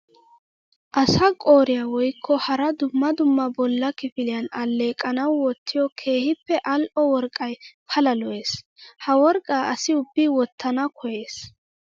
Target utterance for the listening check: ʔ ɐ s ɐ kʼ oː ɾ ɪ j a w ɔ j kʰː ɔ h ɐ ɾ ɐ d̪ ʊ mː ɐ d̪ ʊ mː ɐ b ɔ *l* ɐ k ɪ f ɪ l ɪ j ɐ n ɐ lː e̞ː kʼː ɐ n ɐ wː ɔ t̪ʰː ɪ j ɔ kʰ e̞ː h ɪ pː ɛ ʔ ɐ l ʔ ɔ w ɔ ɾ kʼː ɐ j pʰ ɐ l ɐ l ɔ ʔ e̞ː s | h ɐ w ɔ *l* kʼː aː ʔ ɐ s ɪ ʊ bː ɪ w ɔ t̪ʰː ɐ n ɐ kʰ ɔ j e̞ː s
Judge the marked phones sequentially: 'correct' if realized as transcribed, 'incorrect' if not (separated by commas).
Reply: incorrect, incorrect